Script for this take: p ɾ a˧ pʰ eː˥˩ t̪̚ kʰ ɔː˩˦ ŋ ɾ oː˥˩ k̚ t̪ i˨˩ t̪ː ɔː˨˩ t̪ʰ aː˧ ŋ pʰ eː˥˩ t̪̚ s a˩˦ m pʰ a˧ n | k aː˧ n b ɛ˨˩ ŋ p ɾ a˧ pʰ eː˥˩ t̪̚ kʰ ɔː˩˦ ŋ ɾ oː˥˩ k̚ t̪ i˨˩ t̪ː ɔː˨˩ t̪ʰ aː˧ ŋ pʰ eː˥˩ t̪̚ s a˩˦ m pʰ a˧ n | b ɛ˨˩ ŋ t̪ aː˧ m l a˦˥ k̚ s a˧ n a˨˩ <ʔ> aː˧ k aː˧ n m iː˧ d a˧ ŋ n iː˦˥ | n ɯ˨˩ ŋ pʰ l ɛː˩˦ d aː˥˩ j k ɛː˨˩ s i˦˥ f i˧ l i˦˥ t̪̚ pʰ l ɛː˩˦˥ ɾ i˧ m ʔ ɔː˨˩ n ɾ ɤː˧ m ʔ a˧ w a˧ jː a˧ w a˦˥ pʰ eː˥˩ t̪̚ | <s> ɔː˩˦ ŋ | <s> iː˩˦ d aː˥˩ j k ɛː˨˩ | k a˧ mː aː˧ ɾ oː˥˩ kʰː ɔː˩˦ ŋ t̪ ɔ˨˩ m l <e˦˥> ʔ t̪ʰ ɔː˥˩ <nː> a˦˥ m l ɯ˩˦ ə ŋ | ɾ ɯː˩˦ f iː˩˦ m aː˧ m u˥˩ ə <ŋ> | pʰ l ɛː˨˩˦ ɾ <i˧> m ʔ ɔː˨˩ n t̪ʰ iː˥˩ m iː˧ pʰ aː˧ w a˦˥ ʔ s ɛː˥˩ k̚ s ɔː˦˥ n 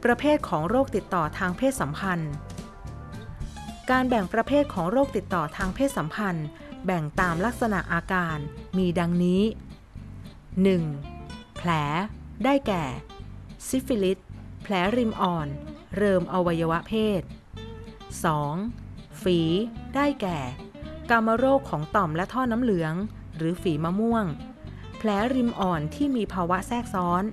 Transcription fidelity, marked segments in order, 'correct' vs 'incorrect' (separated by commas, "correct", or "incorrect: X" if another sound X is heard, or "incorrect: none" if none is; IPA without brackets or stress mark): correct, correct, incorrect: f, incorrect: ɛ˦˥, incorrect: n, correct, correct